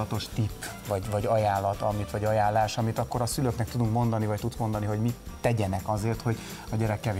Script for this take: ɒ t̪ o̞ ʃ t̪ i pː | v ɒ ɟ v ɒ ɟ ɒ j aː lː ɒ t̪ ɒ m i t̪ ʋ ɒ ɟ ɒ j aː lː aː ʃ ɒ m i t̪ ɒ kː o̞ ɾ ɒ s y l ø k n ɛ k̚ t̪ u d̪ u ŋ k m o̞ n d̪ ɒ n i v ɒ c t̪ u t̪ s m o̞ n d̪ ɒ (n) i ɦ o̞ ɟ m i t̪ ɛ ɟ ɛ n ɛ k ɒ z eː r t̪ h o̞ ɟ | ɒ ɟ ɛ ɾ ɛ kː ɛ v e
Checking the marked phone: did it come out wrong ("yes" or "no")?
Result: no